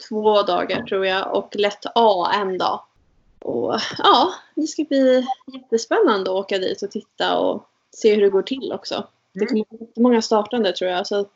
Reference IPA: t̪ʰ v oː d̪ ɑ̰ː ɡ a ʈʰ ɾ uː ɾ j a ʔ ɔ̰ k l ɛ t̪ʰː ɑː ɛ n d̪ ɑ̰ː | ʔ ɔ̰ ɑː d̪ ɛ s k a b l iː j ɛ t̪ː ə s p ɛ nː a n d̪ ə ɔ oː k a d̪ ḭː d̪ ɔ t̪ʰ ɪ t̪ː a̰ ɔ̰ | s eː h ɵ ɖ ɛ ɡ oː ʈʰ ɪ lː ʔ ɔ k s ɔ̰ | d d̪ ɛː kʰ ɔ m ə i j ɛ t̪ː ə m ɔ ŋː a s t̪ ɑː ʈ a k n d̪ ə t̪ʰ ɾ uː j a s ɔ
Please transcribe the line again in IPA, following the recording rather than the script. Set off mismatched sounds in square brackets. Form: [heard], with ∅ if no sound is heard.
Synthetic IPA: t̪ʰ v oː d̪ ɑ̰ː ɡ a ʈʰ ɾ uː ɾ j a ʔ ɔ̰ k l ɛ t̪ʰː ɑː ɛ n d̪ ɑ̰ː | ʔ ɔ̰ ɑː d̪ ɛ s k a b l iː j ɛ t̪ː ə s p ɛ nː a n d̪ ə ɔ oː k a d̪ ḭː [t̪] ɔ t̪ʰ ɪ t̪ː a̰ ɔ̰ | s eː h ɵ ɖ ɛ ɡ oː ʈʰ ɪ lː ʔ ɔ k s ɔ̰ | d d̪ [ɛ] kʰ ɔ m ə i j ɛ t̪ː ə m ɔ ŋː a s t̪ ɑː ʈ a [∅] n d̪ ə t̪ʰ ɾ uː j a s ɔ